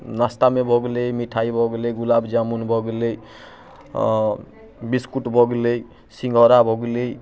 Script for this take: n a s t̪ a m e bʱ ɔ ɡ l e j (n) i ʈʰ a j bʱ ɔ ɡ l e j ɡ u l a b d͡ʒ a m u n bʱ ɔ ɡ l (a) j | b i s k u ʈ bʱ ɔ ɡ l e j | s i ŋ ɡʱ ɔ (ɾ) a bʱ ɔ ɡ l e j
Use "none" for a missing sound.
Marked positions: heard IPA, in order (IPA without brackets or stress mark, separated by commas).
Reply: m, e, ɾ